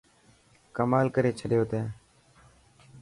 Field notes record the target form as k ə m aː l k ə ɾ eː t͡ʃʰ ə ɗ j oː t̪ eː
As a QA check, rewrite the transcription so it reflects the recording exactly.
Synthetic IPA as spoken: k ə m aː l k ə ɾ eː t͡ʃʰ ə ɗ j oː t̪ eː